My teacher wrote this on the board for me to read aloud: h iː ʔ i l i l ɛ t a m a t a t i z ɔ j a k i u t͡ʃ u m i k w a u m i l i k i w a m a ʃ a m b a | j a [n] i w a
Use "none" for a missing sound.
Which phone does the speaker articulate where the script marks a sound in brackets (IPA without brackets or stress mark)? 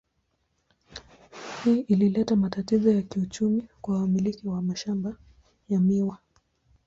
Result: m